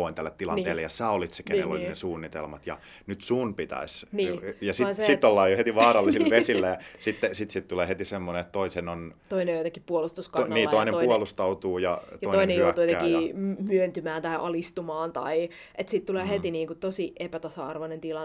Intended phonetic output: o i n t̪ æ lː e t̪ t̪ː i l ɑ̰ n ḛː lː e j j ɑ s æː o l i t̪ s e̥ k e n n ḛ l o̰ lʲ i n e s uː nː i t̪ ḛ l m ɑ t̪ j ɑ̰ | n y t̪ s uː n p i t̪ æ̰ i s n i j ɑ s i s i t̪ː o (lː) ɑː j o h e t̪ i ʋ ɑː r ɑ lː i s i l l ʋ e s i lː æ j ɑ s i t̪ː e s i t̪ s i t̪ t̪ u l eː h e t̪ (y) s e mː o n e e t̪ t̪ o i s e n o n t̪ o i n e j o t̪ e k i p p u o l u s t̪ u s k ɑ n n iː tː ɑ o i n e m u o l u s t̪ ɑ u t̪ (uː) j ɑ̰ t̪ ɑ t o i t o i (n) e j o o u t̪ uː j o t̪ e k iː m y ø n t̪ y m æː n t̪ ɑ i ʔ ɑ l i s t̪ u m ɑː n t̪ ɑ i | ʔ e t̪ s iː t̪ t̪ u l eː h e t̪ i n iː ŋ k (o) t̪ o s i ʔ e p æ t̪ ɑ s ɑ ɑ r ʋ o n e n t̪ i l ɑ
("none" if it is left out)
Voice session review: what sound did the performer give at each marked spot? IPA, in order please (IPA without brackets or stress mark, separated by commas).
lː, i, uː, n, u